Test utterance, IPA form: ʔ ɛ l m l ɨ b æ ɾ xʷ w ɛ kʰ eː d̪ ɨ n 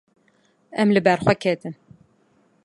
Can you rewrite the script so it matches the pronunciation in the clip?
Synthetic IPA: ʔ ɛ m l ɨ b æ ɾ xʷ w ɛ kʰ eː t̪ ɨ n